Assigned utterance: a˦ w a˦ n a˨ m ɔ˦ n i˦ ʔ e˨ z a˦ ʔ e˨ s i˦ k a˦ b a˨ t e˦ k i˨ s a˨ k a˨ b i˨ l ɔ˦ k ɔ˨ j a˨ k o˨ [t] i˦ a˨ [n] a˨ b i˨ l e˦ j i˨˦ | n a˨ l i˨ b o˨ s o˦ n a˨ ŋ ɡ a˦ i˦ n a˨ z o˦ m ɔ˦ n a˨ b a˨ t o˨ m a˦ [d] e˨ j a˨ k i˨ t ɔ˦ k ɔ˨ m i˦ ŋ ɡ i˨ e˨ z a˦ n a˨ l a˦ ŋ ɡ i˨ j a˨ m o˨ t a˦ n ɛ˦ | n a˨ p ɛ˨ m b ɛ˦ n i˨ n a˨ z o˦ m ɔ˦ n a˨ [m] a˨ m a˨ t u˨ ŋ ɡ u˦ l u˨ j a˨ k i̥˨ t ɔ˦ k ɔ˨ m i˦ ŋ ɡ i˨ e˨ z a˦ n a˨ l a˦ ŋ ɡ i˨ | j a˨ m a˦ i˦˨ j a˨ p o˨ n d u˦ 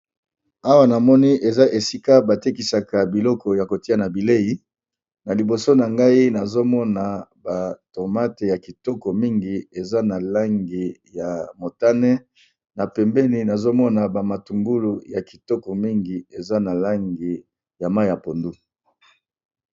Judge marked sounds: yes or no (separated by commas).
yes, yes, no, no